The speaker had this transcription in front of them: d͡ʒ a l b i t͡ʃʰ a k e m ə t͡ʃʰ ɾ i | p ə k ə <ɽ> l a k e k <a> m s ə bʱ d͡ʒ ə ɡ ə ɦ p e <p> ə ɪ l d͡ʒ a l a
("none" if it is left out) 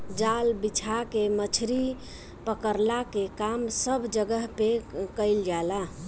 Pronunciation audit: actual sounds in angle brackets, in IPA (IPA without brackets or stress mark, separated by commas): ɾ, a, k